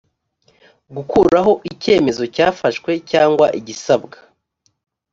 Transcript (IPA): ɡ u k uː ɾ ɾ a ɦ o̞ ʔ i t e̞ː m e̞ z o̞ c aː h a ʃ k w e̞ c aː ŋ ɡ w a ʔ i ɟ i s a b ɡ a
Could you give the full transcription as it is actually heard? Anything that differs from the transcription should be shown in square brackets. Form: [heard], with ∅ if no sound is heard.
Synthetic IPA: ɡ u k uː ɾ ɾ a ɦ o̞ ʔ i [c] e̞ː m e̞ z o̞ c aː [f] a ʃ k w e̞ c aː ŋ ɡ w a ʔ i ɟ i s a b ɡ a